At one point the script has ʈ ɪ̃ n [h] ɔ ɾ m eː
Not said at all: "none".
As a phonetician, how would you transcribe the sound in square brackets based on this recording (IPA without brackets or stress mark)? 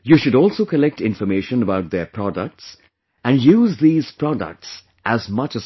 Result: f